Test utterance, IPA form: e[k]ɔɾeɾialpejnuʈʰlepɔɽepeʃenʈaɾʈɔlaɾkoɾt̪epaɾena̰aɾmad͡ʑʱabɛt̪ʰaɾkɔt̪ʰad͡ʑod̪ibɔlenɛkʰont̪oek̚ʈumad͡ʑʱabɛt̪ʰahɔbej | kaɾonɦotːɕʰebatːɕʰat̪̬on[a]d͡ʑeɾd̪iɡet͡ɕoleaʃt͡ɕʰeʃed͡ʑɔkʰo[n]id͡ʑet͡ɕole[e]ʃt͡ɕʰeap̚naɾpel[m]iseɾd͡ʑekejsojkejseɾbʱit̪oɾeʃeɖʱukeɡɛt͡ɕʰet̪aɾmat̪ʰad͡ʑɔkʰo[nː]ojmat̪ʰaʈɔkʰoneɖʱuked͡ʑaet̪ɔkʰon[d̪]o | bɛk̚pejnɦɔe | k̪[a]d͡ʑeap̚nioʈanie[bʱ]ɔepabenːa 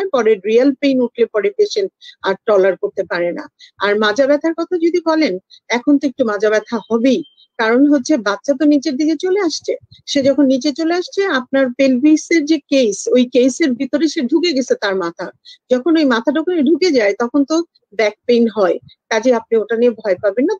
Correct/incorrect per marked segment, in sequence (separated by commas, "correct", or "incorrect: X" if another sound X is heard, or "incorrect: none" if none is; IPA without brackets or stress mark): incorrect: p, incorrect: i, incorrect: nː, incorrect: a, incorrect: b, incorrect: n, incorrect: t̪, correct, correct